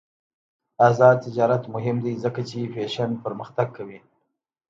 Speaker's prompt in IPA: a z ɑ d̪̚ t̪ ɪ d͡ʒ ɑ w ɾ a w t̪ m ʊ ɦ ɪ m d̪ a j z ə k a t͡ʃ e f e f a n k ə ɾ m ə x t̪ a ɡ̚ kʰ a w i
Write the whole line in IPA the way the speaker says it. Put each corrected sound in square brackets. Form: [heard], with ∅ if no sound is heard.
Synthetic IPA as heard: a z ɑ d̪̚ t̪ ɪ d͡ʒ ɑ [∅] ɾ a [∅] t̪ m ʊ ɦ ɪ m d̪ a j z ə k a t͡ʃ e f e [ʃ] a n [p] ə ɾ m ə x t̪ a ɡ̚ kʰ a w i